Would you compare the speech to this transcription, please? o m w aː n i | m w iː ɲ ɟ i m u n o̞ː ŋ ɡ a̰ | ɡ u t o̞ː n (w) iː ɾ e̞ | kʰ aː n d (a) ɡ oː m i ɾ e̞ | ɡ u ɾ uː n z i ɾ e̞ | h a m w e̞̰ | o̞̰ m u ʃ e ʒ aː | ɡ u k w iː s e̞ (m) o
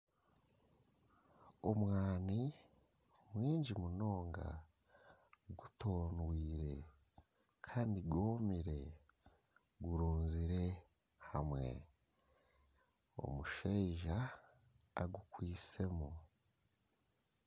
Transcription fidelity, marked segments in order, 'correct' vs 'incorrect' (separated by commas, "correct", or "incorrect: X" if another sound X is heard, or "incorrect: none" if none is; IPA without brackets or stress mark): correct, incorrect: i, correct